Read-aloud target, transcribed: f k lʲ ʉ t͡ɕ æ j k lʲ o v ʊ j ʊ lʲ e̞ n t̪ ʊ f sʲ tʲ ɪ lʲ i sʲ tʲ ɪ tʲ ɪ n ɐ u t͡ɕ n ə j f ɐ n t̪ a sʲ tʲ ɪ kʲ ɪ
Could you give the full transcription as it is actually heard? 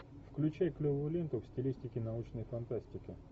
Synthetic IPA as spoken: f k lʲ ʉ t͡ɕ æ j k lʲ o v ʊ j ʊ lʲ e̞ n t̪ ʊ f sʲ tʲ ɪ lʲ i sʲ tʲ ɪ kʲ ɪ n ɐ u t͡ɕ n ə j f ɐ n t̪ a sʲ tʲ ɪ kʲ ɪ